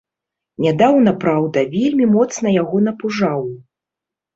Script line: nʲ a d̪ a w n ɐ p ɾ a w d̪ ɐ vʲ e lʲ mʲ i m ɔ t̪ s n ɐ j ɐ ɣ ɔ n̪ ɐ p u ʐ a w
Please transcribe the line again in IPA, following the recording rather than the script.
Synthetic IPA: nʲ a d̪ a w n ɐ p ɾ a w d̪ ɐ vʲ e lʲ mʲ i m ɔ t̪ s n ɐ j a ɣ ɔ n̪ ɐ p u ʐ a w